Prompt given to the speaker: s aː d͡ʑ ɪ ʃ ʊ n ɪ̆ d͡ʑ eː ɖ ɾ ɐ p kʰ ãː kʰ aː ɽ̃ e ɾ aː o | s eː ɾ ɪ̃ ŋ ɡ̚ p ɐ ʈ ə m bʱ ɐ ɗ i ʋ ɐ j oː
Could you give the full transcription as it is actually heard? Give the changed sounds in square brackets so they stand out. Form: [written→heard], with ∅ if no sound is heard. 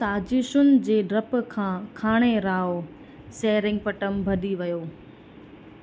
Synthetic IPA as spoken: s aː d͡ʑ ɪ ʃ ʊ n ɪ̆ d͡ʑ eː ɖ ɾ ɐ p kʰ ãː kʰ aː ɽ̃ e ɾ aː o | s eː ɾ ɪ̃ ŋ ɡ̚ p ɐ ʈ ə m bʱ ɐ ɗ i ʋ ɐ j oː